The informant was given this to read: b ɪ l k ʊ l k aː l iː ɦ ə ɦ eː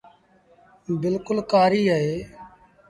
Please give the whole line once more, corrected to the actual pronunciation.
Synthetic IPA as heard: b ɪ l k ʊ l k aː ɾ iː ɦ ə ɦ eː

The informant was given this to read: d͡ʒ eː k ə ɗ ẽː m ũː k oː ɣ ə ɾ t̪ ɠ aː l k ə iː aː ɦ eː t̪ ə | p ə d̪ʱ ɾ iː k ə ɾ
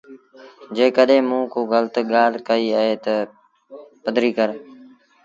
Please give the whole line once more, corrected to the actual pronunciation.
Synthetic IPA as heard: d͡ʒ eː k ə ɗ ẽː m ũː k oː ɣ ə l t̪ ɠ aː l k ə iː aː ɦ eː t̪ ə | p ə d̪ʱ ɾ iː k ə ɾ

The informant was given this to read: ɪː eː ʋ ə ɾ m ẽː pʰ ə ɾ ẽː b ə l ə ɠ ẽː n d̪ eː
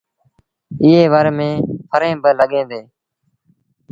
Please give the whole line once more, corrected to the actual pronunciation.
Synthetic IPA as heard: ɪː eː ʋ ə ɾ m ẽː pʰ ə ɾ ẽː b ə l ə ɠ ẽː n d̪ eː

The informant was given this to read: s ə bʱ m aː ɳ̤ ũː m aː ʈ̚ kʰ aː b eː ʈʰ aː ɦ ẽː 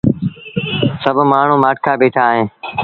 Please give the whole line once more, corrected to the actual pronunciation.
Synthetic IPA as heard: s ə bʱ m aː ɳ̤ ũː m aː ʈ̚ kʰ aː b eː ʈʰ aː ɦ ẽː

